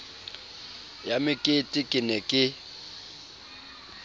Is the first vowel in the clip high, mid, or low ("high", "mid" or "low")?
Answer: low